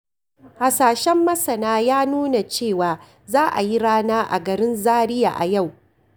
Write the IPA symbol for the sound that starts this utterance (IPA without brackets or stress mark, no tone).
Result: h